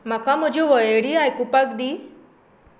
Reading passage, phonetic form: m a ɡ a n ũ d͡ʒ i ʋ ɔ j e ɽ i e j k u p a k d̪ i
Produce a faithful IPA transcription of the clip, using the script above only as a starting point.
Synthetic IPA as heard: m a k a m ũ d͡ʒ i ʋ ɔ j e ɽ i a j k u p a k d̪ i